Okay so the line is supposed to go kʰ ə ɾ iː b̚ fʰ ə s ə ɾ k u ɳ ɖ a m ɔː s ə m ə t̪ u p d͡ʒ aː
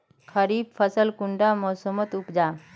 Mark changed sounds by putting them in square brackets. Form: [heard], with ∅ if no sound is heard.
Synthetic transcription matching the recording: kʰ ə ɾ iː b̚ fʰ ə s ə [l] k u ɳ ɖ a m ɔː s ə m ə t̪ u p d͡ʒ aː